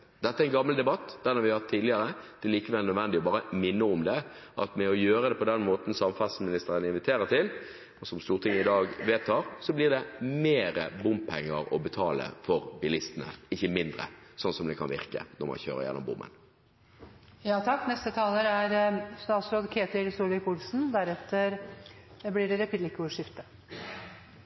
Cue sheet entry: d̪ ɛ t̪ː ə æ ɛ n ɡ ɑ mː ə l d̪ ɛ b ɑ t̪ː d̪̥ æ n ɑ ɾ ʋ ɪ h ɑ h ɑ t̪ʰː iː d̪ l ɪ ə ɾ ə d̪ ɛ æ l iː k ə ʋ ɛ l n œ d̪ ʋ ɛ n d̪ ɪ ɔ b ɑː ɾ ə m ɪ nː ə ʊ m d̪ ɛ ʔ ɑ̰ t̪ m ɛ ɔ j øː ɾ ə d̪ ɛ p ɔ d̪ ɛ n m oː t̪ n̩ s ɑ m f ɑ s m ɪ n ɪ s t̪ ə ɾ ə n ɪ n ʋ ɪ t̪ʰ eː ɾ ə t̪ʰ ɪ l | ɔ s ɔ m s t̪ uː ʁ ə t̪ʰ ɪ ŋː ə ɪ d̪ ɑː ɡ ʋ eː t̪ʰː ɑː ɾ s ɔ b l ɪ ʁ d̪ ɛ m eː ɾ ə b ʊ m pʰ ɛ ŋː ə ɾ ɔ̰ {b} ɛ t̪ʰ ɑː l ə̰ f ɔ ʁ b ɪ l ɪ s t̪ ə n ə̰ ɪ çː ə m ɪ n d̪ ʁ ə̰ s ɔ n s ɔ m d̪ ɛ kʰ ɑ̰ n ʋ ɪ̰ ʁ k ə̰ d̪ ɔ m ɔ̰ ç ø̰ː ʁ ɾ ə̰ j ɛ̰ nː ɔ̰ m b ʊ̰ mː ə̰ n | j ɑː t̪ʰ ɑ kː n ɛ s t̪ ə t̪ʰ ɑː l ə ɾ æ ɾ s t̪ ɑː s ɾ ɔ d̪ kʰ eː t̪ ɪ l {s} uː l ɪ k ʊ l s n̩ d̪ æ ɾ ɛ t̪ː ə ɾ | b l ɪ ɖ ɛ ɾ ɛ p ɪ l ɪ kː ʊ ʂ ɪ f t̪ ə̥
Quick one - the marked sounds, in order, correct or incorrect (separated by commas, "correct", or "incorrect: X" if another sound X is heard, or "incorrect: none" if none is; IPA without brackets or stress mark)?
correct, correct